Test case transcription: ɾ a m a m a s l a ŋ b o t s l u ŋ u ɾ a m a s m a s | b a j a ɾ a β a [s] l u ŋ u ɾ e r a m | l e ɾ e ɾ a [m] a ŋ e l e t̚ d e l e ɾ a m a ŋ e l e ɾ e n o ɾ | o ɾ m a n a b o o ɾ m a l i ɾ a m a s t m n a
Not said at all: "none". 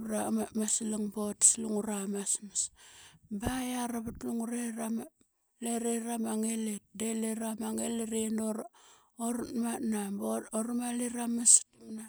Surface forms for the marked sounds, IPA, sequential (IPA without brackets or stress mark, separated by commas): t, m